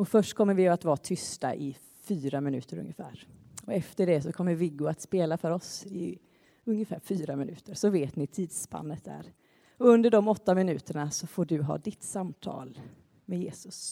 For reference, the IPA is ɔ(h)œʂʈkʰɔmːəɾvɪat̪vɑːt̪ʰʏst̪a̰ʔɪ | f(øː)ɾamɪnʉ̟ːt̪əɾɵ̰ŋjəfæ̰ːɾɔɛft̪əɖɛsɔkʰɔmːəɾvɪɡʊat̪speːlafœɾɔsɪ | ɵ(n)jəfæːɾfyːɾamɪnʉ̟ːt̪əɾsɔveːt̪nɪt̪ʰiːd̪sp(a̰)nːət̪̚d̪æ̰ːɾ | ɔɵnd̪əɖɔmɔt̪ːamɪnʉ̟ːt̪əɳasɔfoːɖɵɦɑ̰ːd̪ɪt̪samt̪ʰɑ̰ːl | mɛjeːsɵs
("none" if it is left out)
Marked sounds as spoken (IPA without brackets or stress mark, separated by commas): f, yː, ŋ, a̰